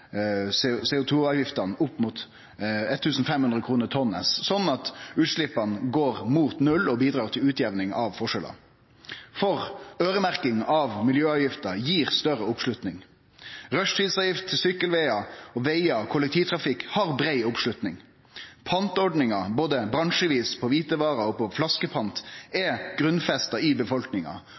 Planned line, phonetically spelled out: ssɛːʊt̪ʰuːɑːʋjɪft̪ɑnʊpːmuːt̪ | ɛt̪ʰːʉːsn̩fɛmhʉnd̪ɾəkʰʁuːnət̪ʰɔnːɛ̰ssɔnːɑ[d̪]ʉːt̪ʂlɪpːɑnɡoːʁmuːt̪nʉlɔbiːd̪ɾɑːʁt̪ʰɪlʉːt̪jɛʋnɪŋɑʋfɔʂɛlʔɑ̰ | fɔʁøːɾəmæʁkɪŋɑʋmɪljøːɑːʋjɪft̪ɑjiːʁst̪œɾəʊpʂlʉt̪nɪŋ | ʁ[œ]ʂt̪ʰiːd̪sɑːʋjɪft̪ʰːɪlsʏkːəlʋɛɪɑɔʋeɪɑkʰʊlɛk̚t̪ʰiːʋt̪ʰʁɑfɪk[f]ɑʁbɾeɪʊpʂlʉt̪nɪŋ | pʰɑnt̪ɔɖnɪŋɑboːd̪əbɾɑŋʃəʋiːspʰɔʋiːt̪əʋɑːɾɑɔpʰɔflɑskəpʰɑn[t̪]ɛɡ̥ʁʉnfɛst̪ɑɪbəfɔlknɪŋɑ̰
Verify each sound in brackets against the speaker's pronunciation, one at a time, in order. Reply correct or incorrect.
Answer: incorrect: t̪, correct, incorrect: h, correct

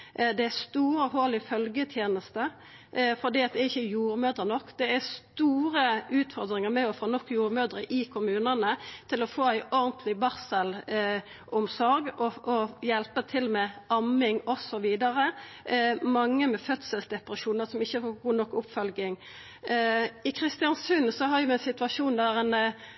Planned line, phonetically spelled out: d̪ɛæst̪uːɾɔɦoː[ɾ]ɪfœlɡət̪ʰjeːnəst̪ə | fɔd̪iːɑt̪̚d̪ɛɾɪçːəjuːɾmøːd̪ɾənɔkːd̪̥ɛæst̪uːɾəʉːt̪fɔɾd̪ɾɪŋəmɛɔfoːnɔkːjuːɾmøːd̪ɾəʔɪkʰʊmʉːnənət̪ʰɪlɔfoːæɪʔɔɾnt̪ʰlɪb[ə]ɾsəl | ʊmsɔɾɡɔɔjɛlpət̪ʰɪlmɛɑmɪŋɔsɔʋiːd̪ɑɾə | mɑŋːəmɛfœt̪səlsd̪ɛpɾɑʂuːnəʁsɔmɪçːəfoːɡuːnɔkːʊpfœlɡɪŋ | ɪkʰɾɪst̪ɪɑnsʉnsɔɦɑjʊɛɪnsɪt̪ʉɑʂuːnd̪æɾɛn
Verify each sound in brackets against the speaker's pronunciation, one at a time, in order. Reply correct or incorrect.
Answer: incorrect: l, incorrect: ɑ

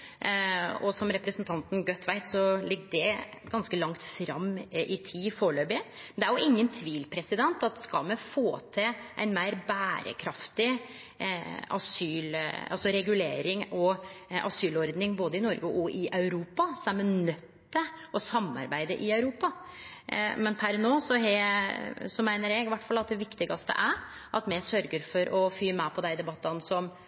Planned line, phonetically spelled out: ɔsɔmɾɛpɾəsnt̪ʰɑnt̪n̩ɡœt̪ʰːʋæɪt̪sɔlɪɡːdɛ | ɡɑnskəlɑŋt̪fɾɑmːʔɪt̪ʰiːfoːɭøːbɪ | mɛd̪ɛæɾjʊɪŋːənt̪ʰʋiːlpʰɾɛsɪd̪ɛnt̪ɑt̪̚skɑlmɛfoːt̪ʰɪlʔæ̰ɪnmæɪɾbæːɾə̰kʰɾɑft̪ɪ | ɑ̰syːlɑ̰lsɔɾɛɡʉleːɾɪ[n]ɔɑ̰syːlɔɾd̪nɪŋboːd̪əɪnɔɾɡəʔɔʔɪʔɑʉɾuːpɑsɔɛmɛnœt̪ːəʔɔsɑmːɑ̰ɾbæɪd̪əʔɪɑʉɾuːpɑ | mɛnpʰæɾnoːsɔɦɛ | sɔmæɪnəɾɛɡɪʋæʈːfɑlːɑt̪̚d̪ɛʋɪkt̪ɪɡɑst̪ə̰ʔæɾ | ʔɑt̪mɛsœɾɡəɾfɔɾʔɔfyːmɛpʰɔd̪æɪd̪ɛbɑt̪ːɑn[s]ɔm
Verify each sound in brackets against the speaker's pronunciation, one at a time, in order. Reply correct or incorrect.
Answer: incorrect: ŋ, correct

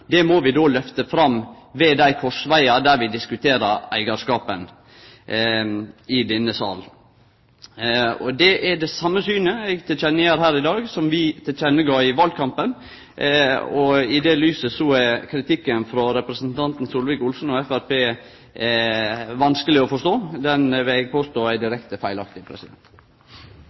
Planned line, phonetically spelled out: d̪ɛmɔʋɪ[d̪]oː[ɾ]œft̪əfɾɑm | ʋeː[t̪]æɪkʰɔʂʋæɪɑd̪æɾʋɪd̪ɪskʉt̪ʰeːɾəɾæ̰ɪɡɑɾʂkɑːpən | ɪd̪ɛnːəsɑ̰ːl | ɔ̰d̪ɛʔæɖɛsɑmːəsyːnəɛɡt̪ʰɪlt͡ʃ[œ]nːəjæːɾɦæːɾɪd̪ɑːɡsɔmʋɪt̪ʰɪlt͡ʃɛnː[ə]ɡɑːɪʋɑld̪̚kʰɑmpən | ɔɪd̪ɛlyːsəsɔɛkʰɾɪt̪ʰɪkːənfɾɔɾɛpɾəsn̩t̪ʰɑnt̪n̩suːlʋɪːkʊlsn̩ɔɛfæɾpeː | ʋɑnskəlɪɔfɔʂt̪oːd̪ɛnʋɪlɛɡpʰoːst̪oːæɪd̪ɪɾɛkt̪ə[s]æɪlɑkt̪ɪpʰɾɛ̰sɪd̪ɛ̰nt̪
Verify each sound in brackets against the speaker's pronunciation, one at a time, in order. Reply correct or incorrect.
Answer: correct, incorrect: l, incorrect: d̪, incorrect: ɛ, correct, incorrect: f

